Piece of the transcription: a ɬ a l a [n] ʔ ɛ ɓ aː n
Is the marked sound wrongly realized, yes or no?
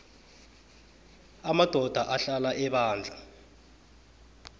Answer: yes